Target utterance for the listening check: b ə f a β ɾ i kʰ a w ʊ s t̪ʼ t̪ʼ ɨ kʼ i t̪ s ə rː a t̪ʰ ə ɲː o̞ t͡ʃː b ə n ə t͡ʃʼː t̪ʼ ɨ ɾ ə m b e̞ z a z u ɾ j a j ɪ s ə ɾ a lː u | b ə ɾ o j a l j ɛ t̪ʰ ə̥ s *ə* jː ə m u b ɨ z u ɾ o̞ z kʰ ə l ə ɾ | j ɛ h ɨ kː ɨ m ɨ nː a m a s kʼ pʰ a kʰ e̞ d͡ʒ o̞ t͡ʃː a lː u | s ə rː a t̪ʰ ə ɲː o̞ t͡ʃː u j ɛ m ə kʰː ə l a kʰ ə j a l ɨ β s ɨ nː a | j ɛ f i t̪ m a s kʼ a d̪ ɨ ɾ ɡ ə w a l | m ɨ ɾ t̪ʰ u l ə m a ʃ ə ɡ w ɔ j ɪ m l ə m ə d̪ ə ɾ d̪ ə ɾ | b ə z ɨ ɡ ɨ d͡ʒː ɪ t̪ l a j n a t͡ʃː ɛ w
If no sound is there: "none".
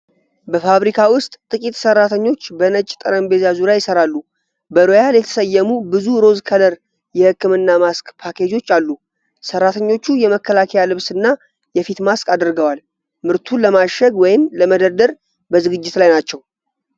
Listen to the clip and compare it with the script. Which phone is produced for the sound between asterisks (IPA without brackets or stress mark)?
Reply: ə